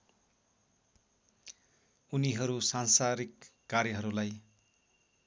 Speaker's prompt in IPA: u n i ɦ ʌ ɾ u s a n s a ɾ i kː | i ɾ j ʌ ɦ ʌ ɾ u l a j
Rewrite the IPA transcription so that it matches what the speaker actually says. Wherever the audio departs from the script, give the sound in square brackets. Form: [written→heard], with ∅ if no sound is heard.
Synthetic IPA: u n i ɦ ʌ ɾ u s a n s a ɾ i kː | [i→a] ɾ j ʌ ɦ ʌ ɾ u l a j